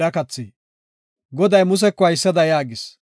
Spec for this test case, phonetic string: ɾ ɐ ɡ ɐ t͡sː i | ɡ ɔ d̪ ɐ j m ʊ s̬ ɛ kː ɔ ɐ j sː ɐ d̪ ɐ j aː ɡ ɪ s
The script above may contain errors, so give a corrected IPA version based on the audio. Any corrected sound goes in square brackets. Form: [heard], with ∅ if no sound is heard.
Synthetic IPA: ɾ ɐ [k] ɐ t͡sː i | ɡ ɔ d̪ ɐ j m ʊ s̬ ɛ kː ɔ ɐ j sː ɐ d̪ ɐ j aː ɡ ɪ s

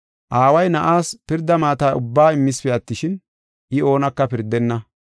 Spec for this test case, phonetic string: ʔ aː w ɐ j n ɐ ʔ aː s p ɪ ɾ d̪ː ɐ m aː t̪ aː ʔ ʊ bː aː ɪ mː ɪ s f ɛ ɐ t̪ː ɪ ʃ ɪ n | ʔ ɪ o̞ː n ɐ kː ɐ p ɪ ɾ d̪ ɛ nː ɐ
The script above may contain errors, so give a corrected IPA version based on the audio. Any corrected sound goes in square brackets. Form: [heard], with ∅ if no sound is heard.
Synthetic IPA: ʔ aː w ɐ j n ɐ ʔ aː s p ɪ ɾ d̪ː ɐ m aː t̪ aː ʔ ʊ bː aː ɪ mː ɪ s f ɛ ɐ t̪ː ɪ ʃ ɪ n | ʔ ɪ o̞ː n ɐ kː ɐ p ɪ ɾ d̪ ɛ nː ɐ

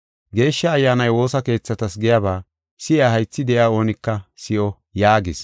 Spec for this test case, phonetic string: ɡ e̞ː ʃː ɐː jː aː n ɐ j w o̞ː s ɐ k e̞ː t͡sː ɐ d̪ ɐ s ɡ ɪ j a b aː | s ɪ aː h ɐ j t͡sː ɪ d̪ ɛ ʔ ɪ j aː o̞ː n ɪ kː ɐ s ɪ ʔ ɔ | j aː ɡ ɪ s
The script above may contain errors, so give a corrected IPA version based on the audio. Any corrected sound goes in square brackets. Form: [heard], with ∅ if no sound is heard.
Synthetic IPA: ɡ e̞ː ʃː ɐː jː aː n ɐ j w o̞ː s ɐ k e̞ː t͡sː ɐ [t̪] ɐ s ɡ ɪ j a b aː | s ɪ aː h ɐ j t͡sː ɪ d̪ ɛ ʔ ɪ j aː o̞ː n ɪ kː ɐ s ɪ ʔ ɔ | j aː ɡ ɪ s

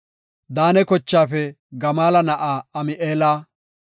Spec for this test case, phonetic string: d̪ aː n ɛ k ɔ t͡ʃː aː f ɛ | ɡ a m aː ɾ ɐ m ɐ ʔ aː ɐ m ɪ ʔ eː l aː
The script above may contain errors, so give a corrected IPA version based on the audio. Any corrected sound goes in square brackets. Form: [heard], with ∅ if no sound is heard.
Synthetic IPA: d̪ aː n ɛ k ɔ t͡ʃː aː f ɛ | ɡ [ɐ] m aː [l] ɐ [n] ɐ ʔ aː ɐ m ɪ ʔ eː l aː

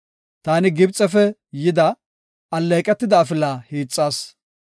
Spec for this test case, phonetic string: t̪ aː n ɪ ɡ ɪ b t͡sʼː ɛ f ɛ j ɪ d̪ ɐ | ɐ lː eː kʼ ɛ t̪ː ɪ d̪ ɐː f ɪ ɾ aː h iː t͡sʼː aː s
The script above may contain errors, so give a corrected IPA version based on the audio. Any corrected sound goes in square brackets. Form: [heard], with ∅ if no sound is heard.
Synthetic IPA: t̪ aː n ɪ ɡ ɪ b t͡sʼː ɛ f ɛ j ɪ d̪ ɐ | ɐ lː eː kʼ ɛ t̪ː ɪ d̪ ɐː f ɪ [l] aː h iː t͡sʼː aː s

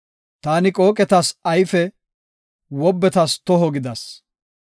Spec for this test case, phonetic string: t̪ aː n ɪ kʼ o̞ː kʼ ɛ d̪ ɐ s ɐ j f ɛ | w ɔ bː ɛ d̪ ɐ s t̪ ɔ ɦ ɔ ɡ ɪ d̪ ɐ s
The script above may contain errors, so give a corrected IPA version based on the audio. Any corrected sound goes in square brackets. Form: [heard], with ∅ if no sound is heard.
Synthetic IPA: t̪ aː n ɪ kʼ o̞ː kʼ ɛ [t̪] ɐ s ɐ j f ɛ | w ɔ bː ɛ [t̪] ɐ s t̪ ɔ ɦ ɔ ɡ ɪ d̪ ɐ s

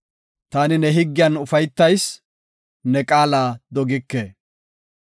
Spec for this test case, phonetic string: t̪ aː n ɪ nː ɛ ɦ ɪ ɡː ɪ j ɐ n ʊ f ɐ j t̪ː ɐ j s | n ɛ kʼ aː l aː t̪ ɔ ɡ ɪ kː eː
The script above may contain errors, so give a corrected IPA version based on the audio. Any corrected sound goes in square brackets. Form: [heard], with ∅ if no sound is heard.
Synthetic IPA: t̪ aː n ɪ [n] ɛ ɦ ɪ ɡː ɪ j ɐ n ʊ f ɐ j t̪ː ɐ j s | n ɛ kʼ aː l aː [d̪] ɔ ɡ ɪ kː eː

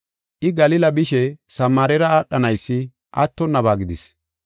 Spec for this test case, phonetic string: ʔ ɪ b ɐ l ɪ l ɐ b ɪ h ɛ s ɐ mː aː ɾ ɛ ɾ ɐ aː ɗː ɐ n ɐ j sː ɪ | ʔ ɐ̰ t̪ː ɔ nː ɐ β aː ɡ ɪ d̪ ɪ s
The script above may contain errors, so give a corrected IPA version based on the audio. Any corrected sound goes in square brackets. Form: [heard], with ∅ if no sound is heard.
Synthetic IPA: ʔ ɪ [ɡ] ɐ l ɪ l ɐ b ɪ [ʃ] ɛ s ɐ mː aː ɾ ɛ ɾ ɐ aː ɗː ɐ n ɐ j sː ɪ | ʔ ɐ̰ t̪ː ɔ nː ɐ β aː ɡ ɪ d̪ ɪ s

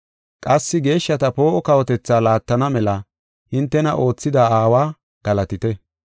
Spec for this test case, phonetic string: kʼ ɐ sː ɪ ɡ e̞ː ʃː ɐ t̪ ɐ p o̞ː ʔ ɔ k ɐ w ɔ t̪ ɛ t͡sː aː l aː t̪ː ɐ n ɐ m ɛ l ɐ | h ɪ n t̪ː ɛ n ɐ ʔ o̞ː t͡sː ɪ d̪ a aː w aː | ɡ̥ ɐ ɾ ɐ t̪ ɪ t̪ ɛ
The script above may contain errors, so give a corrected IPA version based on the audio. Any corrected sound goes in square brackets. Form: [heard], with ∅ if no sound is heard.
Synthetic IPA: kʼ ɐ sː ɪ ɡ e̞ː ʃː ɐ t̪ ɐ p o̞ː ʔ ɔ k ɐ w ɔ t̪ ɛ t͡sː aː l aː t̪ː ɐ n ɐ m ɛ l ɐ | h ɪ n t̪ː ɛ n ɐ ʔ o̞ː t͡sː ɪ d̪ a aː w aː | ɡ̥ ɐ [l] ɐ t̪ ɪ t̪ ɛ

